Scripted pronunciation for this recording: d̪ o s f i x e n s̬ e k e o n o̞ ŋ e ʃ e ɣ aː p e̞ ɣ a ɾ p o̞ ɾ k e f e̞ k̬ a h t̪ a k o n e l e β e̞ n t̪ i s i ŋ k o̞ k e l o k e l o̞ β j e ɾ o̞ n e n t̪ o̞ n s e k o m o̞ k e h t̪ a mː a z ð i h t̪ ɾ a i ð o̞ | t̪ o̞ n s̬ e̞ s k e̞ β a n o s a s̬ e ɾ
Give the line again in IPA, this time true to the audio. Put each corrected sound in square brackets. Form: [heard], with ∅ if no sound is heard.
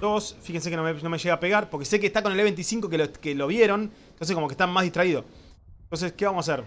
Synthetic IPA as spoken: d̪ o s f i x e n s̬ e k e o n o̞ [m] e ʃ e ɣ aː p e̞ ɣ a ɾ p o̞ ɾ k e [s] e̞ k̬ [e] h t̪ a k o n e l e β e̞ n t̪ i s i ŋ k o̞ k e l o k e l o̞ β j e ɾ o̞ n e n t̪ o̞ n s e k o m o̞ k e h t̪ a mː a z ð i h t̪ ɾ a i ð o̞ | t̪ o̞ n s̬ e̞ s k e̞ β a [m] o s a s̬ e ɾ